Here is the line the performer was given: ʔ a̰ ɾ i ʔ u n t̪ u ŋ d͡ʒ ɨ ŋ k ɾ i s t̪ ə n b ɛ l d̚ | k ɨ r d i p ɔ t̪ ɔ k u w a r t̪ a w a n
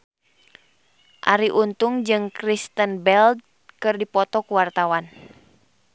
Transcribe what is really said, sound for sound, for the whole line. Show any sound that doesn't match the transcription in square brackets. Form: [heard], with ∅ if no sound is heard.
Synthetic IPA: ʔ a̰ ɾ i ʔ u n t̪ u ŋ d͡ʒ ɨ ŋ k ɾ i s t̪ ə n b ɛ l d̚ | k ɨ r d i p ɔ t̪ ɔ k u w a r t̪ a w a n

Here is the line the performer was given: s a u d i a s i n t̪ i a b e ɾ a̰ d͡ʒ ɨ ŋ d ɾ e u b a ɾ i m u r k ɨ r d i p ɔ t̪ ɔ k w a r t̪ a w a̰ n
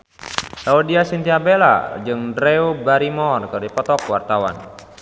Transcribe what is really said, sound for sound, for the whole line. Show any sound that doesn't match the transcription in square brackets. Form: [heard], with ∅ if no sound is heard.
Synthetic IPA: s a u d i a s i n t̪ i a b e [l] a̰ d͡ʒ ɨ ŋ d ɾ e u b a ɾ i m [ɔ] r k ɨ r d i p ɔ t̪ ɔ k w a r t̪ a w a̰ n

